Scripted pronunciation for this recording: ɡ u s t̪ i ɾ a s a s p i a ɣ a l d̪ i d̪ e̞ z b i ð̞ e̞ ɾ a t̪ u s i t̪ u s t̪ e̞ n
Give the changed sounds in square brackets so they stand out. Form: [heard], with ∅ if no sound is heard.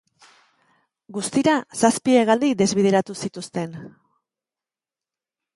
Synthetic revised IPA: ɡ u s t̪ i ɾ a s a s p i [e] ɣ a l d̪ i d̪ e̞ z [β] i ð̞ e̞ ɾ a t̪ u s i t̪ u s t̪ e̞ n